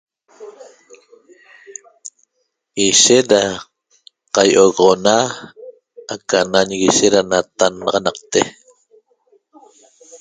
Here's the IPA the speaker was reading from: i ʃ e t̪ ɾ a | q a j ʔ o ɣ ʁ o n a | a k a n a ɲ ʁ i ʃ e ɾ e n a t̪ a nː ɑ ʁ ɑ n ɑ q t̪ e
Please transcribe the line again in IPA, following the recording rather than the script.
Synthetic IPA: i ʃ e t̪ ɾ a | q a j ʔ o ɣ ʁ o n a | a k a n a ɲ ɣ i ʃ e ɾ a n a t̪ a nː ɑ ʁ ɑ n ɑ q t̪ e